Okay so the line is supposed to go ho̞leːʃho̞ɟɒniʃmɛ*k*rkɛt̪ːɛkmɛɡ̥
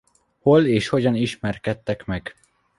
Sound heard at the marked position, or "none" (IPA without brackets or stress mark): none